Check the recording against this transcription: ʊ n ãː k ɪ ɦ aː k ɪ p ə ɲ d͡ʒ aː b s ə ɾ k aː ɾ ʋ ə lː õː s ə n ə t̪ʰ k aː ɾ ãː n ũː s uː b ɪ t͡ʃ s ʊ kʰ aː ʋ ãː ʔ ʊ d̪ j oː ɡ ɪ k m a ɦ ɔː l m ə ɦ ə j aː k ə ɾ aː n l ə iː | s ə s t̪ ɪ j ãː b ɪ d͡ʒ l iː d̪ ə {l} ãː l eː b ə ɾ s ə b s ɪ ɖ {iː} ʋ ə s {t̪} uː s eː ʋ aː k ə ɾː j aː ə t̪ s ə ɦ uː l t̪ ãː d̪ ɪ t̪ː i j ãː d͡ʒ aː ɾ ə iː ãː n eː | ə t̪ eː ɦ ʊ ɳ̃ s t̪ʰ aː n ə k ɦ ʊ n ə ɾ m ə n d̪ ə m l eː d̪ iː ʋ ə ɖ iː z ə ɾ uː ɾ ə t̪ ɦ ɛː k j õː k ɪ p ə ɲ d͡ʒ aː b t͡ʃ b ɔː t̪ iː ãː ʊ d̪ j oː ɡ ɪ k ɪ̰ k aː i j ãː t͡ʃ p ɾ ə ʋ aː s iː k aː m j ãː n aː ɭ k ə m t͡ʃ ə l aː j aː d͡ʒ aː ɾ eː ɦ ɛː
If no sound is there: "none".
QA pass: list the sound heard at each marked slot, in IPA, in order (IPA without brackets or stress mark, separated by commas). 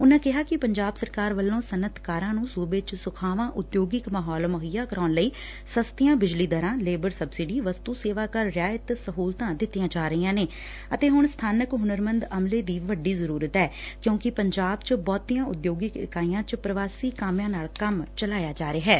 ɾ, iː, t̪